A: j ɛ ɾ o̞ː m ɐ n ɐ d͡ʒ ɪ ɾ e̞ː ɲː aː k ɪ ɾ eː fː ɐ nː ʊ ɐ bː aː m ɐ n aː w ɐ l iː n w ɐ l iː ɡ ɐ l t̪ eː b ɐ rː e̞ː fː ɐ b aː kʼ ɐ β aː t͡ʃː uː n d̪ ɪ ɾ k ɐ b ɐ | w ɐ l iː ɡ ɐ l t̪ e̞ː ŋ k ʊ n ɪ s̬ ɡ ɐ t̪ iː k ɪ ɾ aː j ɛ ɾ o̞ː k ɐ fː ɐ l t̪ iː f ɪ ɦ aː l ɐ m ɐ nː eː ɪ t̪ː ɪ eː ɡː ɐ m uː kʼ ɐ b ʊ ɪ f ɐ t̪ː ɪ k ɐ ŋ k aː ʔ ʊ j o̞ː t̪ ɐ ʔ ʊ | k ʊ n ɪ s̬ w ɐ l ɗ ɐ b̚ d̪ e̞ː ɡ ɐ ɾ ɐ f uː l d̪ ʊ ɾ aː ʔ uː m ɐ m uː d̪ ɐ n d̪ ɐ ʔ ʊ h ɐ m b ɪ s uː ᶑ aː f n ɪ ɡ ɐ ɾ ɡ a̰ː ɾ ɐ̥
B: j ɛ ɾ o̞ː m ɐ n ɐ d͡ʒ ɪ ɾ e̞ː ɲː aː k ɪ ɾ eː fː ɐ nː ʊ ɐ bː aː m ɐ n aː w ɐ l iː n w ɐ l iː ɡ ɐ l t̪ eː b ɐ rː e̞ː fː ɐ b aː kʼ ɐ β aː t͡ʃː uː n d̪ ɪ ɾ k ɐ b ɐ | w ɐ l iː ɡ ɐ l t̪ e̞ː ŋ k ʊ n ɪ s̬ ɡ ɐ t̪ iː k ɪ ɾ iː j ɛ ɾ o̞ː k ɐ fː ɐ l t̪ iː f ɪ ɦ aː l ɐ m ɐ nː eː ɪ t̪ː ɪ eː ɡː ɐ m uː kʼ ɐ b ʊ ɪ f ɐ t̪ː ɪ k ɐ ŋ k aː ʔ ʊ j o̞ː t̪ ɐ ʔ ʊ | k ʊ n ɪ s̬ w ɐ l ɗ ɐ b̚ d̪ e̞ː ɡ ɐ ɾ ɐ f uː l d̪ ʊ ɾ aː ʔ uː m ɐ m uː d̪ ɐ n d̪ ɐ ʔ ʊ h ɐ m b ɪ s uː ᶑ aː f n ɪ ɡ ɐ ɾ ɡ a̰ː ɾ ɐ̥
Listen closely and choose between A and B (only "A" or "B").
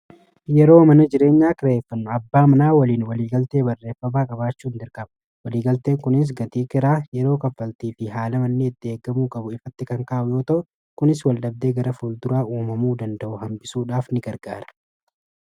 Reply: A